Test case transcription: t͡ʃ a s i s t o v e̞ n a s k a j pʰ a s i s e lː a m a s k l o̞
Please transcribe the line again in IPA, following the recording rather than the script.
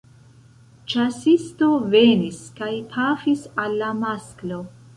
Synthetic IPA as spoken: t͡ʃ a s i s t o v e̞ n i s k a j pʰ a f i s a lː a m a s k l o̞